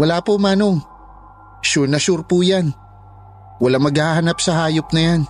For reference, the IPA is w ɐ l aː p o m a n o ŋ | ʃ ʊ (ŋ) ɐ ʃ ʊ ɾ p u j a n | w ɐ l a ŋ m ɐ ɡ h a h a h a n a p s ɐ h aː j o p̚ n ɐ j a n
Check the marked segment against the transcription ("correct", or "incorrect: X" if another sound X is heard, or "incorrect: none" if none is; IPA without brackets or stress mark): incorrect: n